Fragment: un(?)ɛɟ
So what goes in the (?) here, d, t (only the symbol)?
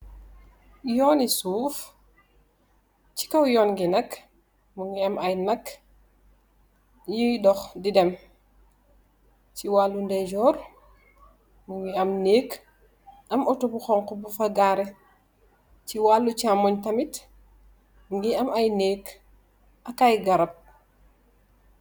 d